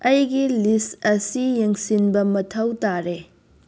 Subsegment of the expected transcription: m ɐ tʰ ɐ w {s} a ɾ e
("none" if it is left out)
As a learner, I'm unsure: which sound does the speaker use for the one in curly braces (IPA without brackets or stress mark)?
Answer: t